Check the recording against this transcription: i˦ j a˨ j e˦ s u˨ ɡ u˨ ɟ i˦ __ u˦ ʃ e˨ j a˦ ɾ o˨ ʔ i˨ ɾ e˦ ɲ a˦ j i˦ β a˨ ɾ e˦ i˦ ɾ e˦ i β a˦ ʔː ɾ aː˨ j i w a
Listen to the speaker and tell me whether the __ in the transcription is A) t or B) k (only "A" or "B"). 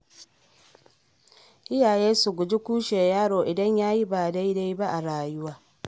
B